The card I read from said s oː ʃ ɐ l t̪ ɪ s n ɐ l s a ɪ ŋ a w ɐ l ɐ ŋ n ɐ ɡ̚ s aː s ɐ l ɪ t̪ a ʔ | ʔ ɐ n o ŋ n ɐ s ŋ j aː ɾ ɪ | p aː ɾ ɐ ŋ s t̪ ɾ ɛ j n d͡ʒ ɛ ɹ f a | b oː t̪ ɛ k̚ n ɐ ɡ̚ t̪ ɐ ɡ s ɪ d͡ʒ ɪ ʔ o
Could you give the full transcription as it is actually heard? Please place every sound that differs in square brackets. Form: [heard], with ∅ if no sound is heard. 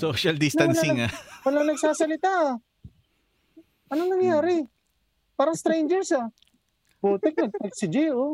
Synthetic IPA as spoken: s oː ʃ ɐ l [d̪] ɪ s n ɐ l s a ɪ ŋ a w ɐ l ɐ ŋ n ɐ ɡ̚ s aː s ɐ l ɪ t̪ a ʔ | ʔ ɐ n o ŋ n ɐ [∅] ŋ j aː ɾ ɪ | p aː ɾ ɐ ŋ s t̪ ɾ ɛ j n d͡ʒ ɛ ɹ [s] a | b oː t̪ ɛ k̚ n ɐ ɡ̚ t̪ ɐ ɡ s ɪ d͡ʒ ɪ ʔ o